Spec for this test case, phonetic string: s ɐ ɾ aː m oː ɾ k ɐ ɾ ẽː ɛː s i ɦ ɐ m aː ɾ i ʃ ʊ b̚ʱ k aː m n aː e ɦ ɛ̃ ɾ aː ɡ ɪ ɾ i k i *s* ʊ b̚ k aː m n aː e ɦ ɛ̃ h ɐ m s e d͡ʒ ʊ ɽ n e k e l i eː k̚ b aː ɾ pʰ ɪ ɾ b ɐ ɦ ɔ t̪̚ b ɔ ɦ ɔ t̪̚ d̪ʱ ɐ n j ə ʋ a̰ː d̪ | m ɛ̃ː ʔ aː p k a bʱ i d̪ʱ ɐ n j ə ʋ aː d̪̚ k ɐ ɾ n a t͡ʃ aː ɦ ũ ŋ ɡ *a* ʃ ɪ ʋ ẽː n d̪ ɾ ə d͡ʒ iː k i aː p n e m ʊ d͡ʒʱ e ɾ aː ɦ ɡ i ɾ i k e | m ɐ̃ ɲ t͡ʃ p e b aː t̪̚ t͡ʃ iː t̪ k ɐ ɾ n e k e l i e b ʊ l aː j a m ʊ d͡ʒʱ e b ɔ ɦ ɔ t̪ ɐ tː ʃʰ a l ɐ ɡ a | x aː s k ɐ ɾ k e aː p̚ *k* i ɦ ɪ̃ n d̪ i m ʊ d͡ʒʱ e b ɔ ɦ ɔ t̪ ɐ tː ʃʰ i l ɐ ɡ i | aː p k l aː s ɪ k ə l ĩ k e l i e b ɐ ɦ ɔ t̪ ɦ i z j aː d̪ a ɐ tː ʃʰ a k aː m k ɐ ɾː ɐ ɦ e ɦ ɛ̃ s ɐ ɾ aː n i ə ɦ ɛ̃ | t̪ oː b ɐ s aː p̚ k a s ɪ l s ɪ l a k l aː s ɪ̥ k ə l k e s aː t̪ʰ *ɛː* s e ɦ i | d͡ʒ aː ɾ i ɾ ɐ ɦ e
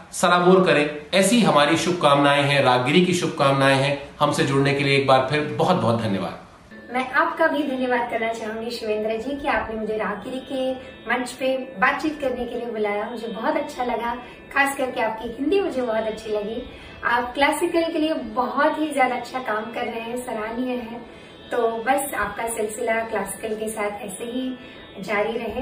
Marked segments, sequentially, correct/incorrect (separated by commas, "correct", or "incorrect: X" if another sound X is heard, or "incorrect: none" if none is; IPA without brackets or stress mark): incorrect: ʃ, incorrect: i, correct, correct